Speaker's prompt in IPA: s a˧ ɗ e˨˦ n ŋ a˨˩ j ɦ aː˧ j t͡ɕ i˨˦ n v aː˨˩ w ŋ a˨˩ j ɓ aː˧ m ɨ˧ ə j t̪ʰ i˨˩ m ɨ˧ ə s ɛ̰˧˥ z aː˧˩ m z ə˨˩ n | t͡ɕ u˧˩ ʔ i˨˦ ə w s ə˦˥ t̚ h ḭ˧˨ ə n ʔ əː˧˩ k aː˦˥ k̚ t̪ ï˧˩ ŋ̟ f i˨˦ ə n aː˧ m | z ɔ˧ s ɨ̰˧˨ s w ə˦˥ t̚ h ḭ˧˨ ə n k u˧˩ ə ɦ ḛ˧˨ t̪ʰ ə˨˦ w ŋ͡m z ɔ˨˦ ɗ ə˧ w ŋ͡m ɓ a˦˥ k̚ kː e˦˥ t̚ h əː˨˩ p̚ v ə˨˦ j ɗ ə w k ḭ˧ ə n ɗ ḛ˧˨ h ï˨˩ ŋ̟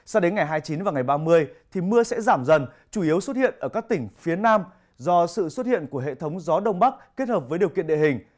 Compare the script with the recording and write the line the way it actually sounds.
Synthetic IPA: s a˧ ɗ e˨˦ n ŋ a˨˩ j ɦ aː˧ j t͡ɕ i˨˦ n v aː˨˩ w ŋ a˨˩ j ɓ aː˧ m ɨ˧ ə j t̪ʰ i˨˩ m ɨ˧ ə s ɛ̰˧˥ z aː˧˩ m z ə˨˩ n | t͡ɕ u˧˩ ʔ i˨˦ ə w s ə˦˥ t̚ h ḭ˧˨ ə n ʔ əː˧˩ k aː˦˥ k̚ t̪ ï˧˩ ŋ̟ f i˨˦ ə n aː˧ m | z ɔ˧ s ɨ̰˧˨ s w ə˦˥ t̚ h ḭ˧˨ ə n k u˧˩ ə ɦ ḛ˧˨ t̪ʰ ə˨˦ w ŋ͡m z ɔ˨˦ ɗ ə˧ w ŋ͡m ɓ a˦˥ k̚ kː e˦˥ t̚ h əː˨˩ p̚ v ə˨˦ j ɗ ə w k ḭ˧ ə n ɗ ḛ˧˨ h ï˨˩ ŋ̟